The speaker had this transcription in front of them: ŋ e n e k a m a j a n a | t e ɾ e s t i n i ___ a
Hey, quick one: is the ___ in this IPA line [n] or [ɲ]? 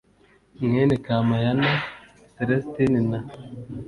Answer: n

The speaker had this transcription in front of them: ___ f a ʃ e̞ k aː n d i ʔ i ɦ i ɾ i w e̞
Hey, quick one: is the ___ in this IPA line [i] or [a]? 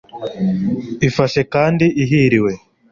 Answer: i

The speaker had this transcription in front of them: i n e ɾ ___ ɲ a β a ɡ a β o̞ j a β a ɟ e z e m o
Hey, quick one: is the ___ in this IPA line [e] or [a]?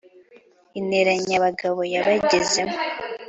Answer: a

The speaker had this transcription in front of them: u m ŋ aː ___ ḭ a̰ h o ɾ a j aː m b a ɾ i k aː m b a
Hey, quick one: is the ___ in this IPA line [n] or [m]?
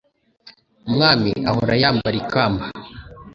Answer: m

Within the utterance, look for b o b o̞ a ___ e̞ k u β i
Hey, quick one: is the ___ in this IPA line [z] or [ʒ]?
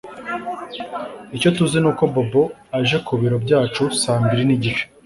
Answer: ʒ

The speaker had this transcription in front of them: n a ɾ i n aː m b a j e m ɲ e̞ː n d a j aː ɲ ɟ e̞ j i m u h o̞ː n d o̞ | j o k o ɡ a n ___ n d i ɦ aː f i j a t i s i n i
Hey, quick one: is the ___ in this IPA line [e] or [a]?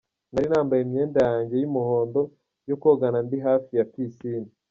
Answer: a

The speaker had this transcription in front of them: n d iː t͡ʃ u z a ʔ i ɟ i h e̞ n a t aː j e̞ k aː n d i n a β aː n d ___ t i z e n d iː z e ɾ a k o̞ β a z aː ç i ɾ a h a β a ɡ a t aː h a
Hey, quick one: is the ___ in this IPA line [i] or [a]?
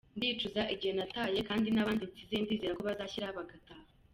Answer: i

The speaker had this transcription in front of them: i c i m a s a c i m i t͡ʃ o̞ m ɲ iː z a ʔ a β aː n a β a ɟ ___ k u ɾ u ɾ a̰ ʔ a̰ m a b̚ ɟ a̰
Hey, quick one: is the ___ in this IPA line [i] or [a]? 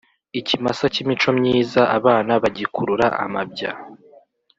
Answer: i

